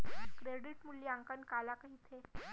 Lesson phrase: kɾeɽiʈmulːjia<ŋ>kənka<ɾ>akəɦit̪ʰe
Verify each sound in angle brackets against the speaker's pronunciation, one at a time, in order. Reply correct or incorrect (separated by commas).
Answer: correct, incorrect